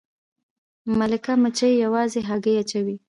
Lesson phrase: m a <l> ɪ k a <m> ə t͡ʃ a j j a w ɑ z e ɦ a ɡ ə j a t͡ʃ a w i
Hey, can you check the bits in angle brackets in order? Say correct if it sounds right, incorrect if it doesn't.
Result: correct, correct

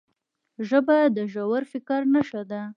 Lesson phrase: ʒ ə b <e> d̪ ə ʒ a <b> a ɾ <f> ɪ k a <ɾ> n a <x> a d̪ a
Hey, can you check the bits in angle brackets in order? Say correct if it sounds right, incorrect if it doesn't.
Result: incorrect: a, incorrect: w, correct, correct, incorrect: ʃ

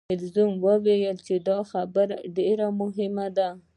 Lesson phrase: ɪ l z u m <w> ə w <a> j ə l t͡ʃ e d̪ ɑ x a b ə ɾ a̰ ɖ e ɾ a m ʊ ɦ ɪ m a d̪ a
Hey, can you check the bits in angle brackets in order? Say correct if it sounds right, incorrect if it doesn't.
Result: correct, incorrect: e

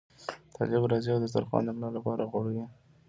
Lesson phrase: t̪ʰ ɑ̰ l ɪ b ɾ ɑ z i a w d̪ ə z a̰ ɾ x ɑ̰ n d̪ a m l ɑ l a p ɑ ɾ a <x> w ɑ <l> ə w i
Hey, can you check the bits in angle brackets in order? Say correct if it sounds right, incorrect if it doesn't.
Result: incorrect: ɣ, incorrect: ɽ

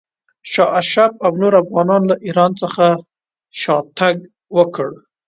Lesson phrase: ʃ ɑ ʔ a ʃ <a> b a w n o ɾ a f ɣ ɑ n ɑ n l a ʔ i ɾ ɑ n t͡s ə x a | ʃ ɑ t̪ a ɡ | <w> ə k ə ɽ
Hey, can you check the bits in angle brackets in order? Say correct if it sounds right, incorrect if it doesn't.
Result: correct, correct

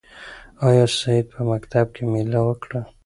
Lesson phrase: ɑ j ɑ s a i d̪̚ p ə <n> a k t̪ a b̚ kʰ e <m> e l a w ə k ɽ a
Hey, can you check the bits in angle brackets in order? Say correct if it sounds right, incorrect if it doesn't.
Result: incorrect: m, correct

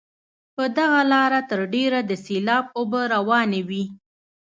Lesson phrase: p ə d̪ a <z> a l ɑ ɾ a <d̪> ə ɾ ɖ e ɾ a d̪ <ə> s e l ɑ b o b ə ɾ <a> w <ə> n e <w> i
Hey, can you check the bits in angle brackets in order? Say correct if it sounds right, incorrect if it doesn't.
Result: incorrect: ɣ, incorrect: t̪, correct, correct, incorrect: ɑ, correct

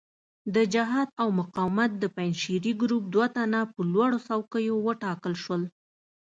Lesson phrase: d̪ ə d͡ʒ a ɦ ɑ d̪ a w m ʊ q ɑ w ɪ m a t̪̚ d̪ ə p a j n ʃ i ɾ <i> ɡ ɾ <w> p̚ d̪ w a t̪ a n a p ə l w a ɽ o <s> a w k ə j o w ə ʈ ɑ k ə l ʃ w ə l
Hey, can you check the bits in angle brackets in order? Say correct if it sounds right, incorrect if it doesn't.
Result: correct, incorrect: u, correct

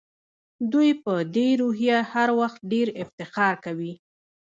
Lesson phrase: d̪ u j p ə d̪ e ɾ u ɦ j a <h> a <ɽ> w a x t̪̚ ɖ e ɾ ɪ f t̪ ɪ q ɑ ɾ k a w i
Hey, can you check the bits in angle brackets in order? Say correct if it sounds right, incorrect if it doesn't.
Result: correct, incorrect: ɾ

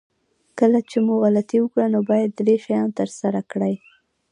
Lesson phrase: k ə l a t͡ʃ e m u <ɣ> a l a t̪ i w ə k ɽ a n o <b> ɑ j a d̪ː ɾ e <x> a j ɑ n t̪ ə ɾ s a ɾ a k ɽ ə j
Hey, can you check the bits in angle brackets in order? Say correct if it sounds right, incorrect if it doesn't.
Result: correct, correct, incorrect: ʃ

